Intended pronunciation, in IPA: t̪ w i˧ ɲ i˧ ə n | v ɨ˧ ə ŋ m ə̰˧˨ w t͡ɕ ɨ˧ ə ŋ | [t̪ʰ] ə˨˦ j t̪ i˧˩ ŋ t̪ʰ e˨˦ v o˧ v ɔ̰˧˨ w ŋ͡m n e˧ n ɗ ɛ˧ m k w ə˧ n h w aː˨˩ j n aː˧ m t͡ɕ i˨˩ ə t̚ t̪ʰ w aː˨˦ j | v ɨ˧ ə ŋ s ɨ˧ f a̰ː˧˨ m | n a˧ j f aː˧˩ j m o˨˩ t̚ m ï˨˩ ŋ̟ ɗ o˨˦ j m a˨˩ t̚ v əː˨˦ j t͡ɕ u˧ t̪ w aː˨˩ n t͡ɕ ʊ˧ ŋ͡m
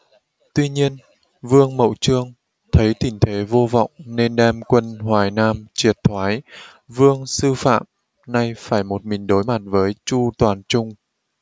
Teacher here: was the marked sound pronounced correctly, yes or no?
yes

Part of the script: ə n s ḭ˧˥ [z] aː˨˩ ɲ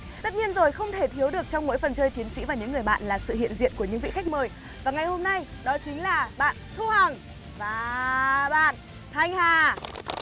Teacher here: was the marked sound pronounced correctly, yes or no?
no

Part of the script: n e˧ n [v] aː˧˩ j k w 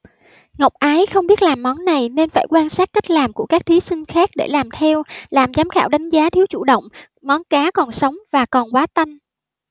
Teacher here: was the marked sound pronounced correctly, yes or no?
no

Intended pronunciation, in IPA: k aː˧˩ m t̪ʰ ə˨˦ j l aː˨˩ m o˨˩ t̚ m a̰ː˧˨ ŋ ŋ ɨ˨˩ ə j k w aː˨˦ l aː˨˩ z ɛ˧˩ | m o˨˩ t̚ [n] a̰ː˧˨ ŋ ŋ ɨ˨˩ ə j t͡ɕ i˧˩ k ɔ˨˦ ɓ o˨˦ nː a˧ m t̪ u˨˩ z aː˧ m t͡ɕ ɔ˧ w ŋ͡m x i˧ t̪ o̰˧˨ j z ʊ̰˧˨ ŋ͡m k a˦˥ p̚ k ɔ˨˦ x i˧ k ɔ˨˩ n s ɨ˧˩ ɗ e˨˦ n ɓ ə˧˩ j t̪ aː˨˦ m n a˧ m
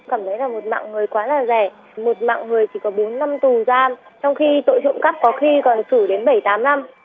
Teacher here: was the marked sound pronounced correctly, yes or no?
no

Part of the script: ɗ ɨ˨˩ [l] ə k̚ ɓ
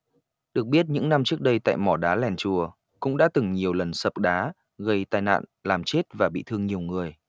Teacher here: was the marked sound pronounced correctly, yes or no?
no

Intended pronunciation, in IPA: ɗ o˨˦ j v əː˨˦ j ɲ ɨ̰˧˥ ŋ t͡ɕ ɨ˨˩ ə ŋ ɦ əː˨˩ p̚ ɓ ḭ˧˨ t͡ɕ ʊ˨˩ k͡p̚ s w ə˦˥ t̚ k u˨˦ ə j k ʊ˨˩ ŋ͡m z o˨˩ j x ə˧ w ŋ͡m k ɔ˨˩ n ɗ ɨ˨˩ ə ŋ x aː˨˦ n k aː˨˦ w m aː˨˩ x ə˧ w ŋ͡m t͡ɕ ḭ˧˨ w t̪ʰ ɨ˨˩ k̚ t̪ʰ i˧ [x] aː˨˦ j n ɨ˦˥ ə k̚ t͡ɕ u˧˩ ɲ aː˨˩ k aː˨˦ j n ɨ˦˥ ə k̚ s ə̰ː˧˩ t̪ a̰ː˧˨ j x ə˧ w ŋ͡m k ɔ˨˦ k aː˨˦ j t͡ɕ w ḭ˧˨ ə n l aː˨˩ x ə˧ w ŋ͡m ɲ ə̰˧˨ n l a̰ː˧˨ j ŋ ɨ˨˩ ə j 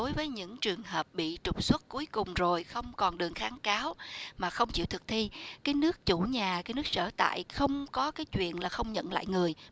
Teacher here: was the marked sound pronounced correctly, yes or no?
no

